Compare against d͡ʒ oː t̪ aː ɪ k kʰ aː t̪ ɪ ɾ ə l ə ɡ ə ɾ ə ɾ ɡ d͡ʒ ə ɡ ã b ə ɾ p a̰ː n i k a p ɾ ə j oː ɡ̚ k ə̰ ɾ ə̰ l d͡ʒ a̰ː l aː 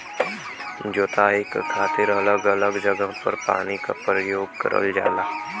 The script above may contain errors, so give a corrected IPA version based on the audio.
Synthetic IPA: d͡ʒ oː t̪ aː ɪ k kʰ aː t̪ ɪ ɾ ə l ə ɡ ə l ə ɡ d͡ʒ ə ɡ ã p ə ɾ p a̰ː n i k a p ɾ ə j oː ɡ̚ k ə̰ ɾ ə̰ l d͡ʒ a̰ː l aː